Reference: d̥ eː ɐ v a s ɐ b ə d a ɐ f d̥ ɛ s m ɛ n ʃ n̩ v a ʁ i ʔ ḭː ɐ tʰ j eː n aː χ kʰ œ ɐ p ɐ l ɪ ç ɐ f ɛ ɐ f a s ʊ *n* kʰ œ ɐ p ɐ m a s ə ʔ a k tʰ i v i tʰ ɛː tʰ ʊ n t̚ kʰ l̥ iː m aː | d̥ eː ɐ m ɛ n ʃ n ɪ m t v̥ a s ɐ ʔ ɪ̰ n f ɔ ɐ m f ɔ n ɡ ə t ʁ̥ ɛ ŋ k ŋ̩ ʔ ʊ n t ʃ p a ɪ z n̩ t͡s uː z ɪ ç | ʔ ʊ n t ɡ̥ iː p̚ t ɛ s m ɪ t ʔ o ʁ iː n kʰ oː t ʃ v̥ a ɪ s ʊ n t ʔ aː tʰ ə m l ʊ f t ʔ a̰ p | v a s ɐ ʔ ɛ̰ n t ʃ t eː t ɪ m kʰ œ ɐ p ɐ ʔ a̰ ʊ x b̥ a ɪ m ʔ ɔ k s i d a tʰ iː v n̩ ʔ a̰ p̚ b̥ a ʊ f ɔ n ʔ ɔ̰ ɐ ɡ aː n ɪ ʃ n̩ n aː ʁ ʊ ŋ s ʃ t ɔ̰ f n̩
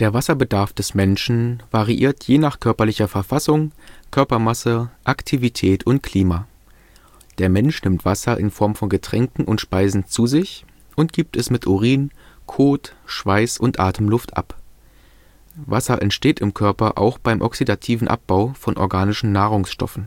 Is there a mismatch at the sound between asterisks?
yes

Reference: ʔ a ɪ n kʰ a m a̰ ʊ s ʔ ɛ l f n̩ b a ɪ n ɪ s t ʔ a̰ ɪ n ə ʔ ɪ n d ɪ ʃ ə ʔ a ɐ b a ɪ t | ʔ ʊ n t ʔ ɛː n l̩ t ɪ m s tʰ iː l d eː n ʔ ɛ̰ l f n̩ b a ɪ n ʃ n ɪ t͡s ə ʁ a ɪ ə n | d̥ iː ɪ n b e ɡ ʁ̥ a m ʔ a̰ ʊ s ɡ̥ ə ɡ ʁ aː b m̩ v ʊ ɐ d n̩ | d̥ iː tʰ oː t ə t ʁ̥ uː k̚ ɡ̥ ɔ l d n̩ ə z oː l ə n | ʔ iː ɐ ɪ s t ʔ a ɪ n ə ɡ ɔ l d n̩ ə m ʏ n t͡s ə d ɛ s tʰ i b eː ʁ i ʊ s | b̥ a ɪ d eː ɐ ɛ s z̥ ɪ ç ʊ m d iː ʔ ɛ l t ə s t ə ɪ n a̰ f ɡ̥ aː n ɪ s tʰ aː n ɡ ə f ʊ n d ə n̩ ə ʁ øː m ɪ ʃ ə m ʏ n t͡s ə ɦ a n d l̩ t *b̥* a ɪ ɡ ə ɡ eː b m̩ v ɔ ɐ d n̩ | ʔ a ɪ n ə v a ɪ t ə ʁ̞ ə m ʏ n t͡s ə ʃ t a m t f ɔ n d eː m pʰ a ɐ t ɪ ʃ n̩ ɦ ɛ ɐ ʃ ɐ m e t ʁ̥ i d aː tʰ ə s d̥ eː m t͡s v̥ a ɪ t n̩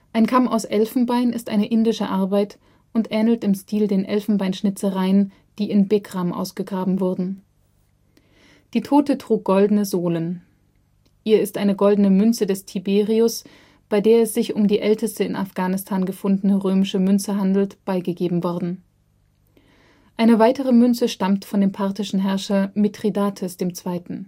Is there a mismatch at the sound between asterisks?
no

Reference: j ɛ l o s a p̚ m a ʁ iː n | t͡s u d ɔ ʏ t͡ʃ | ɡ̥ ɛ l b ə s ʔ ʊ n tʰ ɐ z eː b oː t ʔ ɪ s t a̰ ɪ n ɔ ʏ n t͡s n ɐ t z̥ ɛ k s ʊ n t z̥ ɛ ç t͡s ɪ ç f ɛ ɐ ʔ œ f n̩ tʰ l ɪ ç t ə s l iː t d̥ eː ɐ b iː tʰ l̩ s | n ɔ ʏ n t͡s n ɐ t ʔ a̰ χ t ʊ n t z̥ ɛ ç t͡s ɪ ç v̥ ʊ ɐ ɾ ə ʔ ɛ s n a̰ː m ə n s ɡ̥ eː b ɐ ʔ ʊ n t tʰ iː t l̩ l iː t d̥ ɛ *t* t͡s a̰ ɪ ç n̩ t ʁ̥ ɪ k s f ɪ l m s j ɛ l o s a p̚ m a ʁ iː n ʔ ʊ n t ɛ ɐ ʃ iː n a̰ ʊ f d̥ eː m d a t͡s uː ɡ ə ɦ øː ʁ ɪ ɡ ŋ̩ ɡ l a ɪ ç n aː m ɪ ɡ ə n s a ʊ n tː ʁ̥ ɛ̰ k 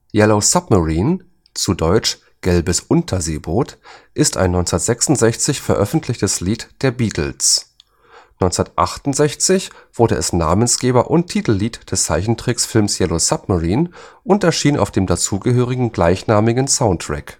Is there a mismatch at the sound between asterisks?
yes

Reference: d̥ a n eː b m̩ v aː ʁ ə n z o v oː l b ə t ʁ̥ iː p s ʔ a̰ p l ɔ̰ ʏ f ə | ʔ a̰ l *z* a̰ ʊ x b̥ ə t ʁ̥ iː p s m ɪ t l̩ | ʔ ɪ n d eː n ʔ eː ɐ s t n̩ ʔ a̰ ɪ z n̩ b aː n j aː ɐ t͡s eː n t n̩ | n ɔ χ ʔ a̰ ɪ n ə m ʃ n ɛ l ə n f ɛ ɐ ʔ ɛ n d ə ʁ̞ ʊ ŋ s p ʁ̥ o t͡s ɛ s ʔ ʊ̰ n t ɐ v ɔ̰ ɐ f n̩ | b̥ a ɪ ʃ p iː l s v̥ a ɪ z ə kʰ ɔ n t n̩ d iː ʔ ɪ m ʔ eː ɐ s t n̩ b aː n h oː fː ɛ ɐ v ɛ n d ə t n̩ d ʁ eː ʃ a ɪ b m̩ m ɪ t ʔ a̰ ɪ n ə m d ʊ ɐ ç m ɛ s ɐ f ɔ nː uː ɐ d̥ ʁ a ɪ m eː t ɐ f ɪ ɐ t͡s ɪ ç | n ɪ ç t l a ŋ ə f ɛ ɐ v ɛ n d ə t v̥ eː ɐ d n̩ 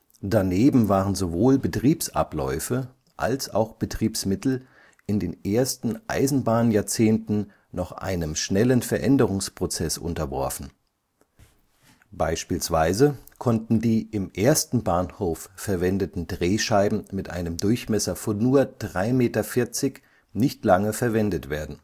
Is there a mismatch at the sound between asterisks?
yes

